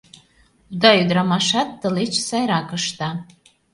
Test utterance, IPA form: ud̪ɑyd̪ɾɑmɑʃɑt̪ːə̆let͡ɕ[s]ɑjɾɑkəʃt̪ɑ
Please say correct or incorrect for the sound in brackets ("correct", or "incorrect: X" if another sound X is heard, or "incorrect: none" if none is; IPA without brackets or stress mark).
correct